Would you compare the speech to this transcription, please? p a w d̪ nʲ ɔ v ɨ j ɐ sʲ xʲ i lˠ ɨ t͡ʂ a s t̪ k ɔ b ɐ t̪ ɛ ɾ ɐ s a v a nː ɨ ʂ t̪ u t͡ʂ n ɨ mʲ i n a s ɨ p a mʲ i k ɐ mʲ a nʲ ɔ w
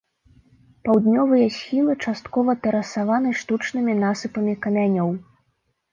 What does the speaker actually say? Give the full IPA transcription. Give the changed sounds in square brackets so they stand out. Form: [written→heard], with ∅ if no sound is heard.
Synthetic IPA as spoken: p a w d̪ nʲ ɔ v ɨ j ɐ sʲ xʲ i lˠ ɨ t͡ʂ a s t̪ k ɔ [b→v] ɐ t̪ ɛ ɾ ɐ s a v a [nː→n] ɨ ʂ t̪ u t͡ʂ n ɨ mʲ i n a s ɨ p [a→ɐ] mʲ i k ɐ mʲ a nʲ ɔ w

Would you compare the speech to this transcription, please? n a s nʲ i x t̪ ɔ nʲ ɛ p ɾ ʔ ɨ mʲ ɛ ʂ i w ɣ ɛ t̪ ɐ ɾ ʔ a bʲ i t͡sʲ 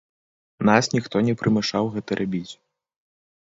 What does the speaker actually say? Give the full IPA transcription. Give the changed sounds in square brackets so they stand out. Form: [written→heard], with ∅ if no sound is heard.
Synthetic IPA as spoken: n a s nʲ i x t̪ ɔ nʲ ɛ p ɾ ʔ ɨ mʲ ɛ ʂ [i→a] w ɣ ɛ t̪ ɐ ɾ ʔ a bʲ i t͡sʲ

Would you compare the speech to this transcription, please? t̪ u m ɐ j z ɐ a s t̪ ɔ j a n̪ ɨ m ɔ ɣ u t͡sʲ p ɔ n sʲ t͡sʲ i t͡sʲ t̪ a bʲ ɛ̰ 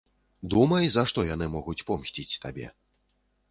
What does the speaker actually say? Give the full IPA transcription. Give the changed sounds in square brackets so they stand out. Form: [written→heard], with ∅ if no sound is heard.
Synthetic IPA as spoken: [t̪→d̪] u m ɐ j z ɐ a [s→ʂ] t̪ ɔ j a n̪ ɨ m ɔ ɣ u t͡sʲ p ɔ [n→m] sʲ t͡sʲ i t͡sʲ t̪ a bʲ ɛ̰

